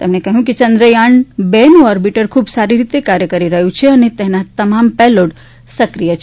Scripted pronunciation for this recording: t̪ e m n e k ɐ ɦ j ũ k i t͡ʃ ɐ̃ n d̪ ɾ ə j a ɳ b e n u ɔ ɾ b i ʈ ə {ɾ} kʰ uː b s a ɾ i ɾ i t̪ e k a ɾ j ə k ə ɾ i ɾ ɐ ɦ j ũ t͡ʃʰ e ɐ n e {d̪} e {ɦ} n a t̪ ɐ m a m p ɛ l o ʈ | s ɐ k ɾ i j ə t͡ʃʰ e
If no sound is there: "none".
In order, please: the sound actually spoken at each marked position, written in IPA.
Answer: ɾ, t̪, ɦ

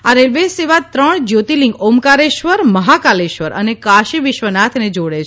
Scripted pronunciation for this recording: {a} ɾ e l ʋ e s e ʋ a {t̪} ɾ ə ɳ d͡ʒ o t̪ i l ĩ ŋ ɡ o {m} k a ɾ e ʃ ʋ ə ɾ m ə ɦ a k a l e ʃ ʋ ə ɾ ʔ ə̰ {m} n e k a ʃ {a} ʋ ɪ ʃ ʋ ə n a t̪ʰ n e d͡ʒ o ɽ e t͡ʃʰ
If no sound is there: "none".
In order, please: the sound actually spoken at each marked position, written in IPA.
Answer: a, t̪, m, none, i

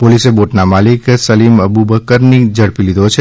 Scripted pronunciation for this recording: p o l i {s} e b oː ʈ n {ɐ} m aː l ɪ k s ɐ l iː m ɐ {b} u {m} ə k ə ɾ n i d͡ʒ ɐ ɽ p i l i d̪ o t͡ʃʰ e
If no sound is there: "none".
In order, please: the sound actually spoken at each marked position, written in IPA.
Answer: s, a, b, b

